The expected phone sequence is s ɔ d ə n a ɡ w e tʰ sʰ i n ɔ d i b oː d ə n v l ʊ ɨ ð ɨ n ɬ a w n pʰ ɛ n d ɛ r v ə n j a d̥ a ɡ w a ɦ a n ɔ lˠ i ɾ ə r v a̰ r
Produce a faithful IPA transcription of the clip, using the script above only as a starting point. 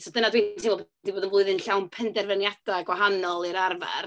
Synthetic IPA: s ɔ d ə n a d w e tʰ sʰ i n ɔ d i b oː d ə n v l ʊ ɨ ð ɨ n ɬ a w n pʰ ɛ n d ɛ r v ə n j a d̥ a ɡ w a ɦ a n ɔ lˠ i ɾ a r v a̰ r